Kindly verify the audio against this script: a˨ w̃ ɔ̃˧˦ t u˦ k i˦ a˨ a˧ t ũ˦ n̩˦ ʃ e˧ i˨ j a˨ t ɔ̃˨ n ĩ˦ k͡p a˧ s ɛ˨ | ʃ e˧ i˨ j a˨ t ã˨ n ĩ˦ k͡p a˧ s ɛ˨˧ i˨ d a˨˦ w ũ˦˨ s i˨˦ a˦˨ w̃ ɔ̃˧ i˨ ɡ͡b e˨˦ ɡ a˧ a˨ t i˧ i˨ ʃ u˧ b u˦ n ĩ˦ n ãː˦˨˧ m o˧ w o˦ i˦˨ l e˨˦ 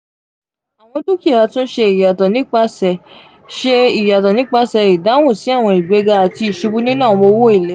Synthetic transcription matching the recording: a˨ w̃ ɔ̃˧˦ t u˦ k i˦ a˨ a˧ t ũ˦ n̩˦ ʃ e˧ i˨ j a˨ t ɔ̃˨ n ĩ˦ k͡p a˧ s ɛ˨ | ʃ e˧ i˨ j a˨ t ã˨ n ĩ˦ k͡p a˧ s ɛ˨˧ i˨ d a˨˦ w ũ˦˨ s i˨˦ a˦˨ w̃ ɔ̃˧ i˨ ɡ͡b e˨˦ ɡ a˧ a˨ t i˧ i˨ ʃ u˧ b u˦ n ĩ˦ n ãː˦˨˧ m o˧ w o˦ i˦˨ l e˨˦